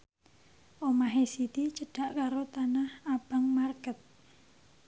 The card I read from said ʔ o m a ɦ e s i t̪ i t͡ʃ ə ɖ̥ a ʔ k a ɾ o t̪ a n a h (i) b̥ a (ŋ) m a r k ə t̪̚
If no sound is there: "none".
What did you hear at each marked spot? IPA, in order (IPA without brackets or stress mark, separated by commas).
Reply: a, ŋ